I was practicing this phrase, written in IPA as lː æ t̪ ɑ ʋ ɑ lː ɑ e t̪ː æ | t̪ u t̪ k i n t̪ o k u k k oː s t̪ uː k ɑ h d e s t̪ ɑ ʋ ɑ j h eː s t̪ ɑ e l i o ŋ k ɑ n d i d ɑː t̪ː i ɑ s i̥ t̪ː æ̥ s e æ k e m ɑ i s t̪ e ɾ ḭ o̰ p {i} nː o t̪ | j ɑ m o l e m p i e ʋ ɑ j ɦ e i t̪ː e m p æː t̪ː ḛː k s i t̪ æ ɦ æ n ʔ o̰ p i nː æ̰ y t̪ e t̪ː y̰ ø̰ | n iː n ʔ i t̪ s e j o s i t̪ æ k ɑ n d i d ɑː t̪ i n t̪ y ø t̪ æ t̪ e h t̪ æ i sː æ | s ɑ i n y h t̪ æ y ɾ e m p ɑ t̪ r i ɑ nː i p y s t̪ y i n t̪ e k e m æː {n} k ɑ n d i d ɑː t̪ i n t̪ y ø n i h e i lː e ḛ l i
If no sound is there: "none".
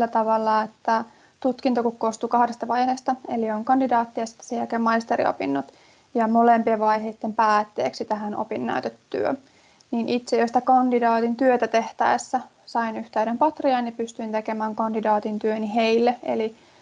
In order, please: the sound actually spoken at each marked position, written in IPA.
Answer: i, ŋ

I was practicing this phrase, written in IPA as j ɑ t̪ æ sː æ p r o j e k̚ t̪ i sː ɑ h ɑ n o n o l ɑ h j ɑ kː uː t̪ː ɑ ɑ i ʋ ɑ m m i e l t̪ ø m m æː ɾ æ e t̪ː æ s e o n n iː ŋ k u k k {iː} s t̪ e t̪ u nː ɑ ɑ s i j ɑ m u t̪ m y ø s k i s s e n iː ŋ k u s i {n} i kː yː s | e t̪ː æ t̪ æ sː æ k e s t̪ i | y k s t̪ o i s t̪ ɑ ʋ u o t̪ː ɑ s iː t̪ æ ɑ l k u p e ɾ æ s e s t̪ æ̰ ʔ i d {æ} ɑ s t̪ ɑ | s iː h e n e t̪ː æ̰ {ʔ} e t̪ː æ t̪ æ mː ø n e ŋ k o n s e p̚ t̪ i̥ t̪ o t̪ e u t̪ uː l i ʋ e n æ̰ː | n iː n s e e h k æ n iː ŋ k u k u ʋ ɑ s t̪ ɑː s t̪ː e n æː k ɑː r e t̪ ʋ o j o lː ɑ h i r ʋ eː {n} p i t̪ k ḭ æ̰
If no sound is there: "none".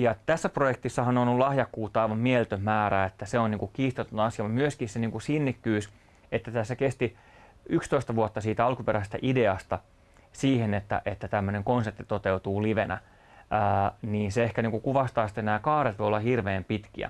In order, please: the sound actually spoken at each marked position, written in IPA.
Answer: iː, nː, e, ʔ, m

